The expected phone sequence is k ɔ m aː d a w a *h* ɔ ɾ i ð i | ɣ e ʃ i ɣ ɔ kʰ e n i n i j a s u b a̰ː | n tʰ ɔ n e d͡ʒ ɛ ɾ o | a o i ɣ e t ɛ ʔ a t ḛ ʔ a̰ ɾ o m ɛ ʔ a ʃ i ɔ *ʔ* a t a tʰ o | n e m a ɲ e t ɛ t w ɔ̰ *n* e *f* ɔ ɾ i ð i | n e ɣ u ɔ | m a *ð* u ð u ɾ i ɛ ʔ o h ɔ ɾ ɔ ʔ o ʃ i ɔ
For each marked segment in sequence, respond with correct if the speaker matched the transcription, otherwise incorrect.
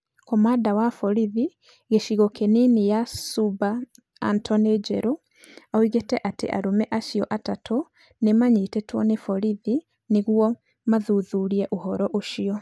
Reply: incorrect: f, correct, correct, correct, correct

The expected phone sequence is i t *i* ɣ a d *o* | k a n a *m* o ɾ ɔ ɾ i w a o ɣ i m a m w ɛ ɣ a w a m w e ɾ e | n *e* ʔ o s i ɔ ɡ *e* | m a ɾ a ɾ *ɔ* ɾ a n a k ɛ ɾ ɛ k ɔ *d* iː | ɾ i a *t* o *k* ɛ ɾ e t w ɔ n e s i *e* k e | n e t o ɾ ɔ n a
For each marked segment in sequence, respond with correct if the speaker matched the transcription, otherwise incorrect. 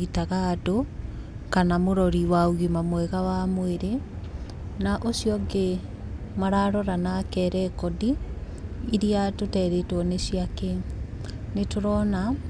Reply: incorrect: a, correct, correct, incorrect: a, correct, correct, correct, correct, incorrect: t, incorrect: a

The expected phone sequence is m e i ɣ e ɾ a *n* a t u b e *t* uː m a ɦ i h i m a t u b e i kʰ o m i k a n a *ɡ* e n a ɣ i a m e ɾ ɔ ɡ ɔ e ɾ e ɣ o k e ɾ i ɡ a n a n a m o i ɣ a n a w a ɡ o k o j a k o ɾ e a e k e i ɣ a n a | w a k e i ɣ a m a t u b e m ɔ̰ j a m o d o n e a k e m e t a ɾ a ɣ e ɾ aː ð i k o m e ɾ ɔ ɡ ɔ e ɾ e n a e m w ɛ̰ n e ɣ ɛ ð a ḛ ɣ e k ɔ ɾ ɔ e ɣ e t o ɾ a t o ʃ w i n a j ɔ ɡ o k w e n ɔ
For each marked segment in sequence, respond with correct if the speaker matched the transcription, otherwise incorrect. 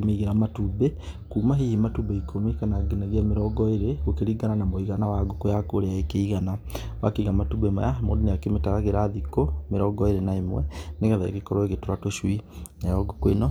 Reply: incorrect: m, incorrect: k, correct

